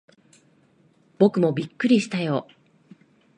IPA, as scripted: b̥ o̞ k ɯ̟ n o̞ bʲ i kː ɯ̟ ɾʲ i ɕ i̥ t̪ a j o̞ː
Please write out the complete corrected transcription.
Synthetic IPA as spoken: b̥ o̞ k ɯ̟ m o̞ bʲ i kː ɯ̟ ɾʲ i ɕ i̥ t̪ a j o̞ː